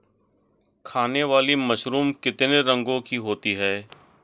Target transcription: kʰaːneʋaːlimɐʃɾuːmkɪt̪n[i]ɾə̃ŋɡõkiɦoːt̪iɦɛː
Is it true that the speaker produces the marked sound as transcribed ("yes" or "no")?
no